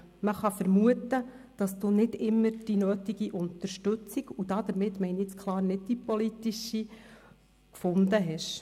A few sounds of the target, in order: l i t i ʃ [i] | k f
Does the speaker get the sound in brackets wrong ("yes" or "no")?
no